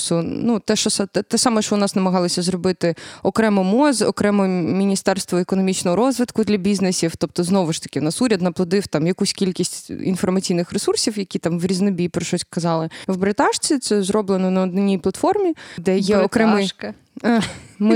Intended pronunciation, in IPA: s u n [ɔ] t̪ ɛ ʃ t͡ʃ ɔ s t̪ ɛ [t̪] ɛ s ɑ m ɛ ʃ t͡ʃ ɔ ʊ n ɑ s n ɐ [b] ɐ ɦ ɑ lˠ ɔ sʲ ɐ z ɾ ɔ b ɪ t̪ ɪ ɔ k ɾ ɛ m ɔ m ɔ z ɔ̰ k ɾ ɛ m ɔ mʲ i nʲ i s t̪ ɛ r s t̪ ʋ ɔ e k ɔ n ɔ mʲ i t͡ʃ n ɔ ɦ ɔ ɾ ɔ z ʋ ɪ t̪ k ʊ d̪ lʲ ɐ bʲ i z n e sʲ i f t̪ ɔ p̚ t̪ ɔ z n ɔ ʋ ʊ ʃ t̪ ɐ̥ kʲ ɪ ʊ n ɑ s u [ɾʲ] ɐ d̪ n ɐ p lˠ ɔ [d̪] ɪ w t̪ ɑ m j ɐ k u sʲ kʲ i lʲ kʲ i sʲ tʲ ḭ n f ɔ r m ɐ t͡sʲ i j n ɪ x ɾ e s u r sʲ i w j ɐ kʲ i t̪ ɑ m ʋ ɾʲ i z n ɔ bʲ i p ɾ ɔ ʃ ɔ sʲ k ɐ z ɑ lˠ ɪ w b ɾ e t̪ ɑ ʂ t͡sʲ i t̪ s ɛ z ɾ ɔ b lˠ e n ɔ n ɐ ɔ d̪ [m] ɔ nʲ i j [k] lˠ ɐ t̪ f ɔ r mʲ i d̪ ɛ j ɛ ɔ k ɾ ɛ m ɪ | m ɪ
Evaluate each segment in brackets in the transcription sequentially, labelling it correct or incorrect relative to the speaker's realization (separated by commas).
incorrect, correct, incorrect, correct, correct, incorrect, incorrect